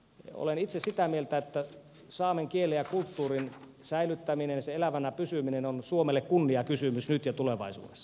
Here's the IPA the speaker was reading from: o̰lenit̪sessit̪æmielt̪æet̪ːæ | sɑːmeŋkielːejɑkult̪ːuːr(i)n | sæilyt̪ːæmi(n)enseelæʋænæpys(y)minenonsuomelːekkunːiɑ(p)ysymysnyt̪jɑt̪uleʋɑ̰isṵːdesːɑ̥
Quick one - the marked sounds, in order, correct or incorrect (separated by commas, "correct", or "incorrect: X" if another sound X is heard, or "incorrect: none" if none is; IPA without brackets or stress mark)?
correct, correct, correct, incorrect: k